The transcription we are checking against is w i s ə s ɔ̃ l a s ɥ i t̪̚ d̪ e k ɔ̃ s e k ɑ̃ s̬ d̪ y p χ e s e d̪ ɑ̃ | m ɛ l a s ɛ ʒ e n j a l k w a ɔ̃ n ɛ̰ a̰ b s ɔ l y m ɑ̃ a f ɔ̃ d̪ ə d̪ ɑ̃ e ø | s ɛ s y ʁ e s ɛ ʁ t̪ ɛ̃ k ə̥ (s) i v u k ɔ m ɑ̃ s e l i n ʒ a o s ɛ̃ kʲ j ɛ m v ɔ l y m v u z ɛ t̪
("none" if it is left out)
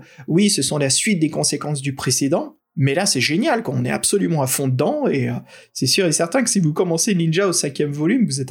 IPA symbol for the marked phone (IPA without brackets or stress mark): s